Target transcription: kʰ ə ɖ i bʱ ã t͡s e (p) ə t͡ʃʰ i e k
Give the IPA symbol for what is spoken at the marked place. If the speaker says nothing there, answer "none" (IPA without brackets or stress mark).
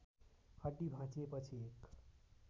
p